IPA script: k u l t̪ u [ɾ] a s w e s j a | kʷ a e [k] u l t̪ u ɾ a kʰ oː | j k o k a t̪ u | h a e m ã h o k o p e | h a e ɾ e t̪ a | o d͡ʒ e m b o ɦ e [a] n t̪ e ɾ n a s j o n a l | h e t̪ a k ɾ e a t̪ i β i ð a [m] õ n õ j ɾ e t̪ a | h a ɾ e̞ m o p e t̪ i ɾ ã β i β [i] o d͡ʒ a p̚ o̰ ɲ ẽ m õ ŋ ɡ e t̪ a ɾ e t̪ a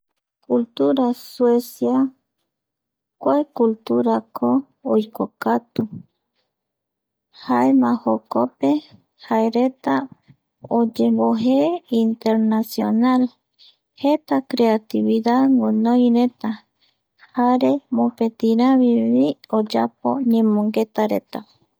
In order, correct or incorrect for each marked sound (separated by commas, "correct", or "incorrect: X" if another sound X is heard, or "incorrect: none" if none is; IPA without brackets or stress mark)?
correct, correct, incorrect: i, incorrect: ŋ, correct